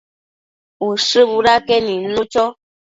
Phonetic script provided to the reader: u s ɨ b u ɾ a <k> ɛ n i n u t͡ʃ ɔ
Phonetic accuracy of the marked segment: correct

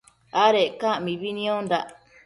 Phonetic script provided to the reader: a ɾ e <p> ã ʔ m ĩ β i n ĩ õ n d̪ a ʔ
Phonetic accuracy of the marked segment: incorrect: k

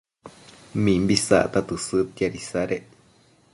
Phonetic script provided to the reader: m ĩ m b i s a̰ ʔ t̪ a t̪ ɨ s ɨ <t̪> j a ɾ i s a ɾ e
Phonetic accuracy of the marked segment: correct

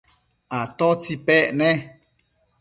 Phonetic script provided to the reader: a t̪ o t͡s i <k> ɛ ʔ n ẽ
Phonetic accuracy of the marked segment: incorrect: p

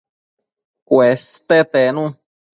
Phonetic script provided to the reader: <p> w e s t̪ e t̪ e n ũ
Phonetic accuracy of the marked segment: incorrect: k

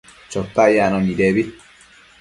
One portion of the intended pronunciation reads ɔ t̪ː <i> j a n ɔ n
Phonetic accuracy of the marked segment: incorrect: a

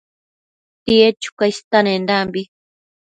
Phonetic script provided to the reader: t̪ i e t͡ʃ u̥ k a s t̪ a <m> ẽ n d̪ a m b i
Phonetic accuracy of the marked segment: incorrect: n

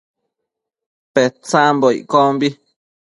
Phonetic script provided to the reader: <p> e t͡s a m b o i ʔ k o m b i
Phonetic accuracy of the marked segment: correct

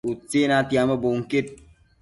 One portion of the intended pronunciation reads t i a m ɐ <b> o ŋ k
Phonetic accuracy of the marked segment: correct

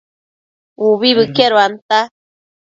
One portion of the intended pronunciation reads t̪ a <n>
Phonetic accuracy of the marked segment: incorrect: none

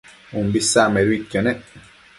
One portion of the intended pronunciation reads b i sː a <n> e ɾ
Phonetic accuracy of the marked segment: incorrect: m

